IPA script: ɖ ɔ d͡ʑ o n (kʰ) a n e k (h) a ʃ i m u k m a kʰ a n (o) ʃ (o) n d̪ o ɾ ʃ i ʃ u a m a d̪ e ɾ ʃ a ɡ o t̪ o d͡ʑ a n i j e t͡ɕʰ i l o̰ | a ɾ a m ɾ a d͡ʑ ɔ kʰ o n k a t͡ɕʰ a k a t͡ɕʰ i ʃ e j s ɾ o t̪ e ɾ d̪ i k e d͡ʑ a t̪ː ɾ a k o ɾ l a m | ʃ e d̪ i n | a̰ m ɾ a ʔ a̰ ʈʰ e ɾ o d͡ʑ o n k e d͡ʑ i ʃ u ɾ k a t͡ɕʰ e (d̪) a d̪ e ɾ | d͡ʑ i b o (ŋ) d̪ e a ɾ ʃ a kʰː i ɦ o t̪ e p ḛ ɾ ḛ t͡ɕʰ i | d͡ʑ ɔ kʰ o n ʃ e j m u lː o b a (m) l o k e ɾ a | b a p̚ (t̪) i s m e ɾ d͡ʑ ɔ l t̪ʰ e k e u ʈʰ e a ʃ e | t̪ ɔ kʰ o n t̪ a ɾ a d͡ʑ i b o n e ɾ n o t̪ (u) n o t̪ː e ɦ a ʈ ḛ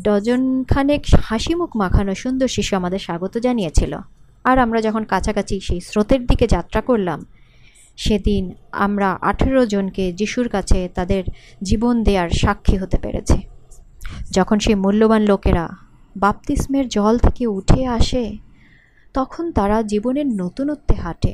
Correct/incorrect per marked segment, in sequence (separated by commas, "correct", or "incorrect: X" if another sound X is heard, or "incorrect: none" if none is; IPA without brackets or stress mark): correct, correct, correct, incorrect: u, incorrect: t̪, incorrect: n, incorrect: n, correct, correct